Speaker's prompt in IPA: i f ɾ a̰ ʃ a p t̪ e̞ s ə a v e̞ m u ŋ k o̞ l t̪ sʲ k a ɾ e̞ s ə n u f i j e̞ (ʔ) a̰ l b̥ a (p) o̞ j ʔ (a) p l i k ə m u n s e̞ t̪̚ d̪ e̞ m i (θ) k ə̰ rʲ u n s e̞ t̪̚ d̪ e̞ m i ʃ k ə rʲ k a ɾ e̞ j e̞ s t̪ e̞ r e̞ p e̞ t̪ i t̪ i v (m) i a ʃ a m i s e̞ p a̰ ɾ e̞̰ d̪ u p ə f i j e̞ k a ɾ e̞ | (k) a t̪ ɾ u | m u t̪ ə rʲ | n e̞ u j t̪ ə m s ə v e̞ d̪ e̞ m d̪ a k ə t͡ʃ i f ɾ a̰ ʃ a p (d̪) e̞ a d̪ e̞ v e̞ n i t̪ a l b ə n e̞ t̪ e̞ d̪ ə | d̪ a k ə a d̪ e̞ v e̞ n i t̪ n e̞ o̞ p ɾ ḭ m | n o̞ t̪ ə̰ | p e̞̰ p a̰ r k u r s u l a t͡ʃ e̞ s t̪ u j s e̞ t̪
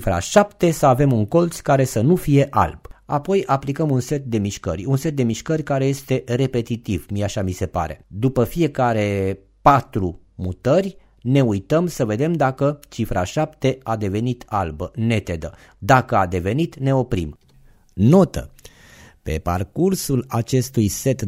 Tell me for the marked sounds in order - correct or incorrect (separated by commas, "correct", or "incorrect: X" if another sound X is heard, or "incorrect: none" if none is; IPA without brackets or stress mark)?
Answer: correct, correct, correct, incorrect: ʃ, correct, incorrect: p, incorrect: t̪